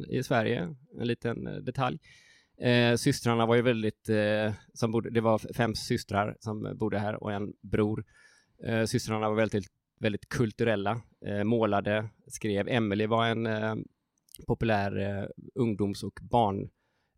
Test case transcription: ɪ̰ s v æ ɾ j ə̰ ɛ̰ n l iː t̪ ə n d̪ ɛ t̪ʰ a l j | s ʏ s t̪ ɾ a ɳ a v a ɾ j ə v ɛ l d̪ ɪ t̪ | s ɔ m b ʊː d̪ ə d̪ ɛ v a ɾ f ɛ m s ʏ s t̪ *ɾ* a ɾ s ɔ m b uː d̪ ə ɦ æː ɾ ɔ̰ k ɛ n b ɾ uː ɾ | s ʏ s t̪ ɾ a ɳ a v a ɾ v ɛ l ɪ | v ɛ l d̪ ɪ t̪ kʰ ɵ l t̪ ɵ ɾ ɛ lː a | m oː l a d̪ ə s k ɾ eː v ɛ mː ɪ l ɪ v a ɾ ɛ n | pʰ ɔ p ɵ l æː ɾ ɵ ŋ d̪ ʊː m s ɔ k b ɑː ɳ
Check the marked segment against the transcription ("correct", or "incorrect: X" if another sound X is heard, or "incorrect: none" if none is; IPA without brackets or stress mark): correct